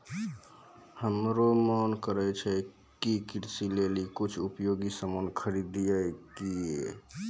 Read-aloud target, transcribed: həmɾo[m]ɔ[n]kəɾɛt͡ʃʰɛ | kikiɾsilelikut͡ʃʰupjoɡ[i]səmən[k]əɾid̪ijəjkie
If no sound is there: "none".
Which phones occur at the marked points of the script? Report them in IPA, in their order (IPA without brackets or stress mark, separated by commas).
m, n, i, kʰ